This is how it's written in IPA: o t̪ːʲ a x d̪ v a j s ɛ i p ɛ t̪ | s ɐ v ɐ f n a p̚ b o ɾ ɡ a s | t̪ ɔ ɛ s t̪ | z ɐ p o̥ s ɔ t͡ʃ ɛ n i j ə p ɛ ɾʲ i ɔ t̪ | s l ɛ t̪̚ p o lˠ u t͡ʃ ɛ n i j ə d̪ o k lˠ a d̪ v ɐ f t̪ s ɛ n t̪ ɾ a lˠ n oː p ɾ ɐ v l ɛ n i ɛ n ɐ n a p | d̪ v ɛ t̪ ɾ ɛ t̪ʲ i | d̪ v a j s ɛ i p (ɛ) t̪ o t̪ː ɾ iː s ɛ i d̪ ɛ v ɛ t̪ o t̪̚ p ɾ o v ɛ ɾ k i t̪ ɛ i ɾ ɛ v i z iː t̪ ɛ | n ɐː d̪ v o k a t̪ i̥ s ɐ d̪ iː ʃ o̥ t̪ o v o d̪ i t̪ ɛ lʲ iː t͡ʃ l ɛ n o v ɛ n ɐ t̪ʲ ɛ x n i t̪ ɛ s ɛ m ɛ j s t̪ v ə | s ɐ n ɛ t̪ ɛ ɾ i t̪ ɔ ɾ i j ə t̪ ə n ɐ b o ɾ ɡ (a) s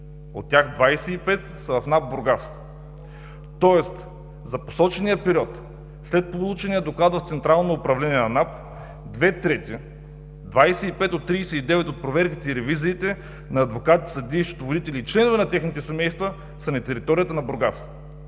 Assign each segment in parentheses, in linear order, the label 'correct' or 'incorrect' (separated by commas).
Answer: correct, correct